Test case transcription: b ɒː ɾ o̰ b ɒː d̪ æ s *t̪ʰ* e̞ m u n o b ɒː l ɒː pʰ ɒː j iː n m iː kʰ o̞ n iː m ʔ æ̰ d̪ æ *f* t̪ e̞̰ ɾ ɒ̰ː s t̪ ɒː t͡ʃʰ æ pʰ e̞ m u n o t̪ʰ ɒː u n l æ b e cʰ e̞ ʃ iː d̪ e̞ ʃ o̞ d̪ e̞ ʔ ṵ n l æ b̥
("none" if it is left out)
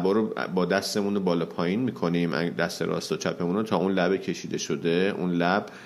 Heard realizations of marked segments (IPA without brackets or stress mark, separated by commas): t̪, s